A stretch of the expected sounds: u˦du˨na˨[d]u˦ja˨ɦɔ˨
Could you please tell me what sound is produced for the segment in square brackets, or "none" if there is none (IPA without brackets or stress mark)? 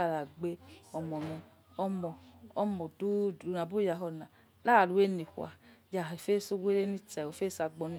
b